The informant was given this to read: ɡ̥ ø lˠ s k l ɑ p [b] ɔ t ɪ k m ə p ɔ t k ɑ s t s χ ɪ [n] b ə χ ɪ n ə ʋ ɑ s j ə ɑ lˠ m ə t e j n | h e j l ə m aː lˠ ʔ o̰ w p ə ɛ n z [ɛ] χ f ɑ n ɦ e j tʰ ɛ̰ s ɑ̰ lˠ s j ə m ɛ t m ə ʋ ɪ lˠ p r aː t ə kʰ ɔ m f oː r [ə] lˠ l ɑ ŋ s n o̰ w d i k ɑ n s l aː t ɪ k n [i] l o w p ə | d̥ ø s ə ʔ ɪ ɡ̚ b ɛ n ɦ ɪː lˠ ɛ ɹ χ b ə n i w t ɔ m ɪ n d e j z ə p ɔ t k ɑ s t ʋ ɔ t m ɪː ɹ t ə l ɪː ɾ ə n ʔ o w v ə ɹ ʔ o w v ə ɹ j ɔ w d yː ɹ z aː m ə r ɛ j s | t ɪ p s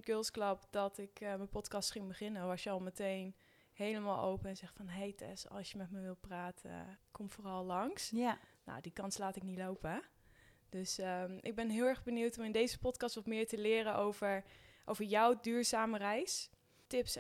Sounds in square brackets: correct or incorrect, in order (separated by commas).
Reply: incorrect, incorrect, correct, incorrect, correct